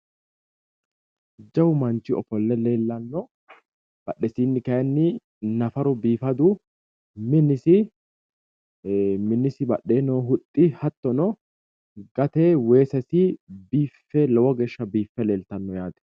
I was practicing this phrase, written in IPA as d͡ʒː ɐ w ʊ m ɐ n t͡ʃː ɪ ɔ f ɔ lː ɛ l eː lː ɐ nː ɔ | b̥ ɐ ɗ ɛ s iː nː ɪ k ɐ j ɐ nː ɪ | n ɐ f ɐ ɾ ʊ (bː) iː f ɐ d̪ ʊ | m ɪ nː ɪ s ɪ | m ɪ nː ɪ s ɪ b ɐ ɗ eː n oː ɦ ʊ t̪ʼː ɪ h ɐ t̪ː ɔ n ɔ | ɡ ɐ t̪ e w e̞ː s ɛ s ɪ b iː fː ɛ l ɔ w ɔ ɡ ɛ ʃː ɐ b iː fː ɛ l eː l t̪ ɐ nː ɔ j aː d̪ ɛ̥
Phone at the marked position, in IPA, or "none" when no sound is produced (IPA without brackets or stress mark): b